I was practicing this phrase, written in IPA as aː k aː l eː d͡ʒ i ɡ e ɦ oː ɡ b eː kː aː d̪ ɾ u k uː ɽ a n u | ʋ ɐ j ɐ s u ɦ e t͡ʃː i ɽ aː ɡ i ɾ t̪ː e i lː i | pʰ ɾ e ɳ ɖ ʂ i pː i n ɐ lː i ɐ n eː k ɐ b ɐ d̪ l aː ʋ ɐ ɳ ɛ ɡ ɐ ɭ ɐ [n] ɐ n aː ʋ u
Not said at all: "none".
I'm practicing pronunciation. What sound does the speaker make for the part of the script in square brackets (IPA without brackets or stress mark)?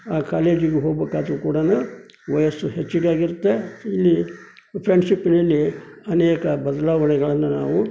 nː